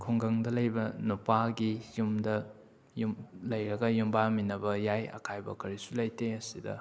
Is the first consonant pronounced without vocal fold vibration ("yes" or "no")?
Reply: yes